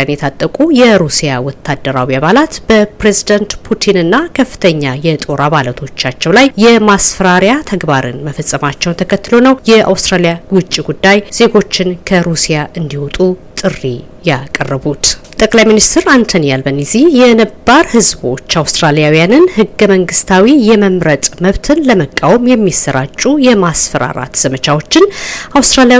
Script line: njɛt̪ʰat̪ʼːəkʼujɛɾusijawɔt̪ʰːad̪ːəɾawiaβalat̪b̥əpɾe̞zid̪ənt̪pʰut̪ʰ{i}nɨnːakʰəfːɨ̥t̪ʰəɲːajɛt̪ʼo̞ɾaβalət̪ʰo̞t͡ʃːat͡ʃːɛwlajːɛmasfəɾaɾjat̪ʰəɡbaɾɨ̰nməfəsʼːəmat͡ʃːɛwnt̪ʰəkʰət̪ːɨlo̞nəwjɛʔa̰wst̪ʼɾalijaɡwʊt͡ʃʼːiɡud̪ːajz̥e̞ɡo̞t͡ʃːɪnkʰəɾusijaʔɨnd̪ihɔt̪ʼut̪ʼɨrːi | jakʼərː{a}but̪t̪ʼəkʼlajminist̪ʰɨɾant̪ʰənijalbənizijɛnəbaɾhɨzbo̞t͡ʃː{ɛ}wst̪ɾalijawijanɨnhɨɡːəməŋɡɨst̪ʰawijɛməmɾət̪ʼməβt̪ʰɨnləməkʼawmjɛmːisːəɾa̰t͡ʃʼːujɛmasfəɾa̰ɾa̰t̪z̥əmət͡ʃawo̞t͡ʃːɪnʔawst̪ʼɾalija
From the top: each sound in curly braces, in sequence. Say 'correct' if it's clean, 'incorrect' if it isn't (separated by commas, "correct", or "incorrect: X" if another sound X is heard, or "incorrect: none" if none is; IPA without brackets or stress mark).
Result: correct, incorrect: ə, incorrect: a